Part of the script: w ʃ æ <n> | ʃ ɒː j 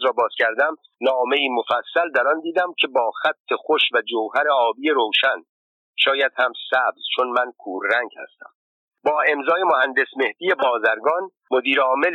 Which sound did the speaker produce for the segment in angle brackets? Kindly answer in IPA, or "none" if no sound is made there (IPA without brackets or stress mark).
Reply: n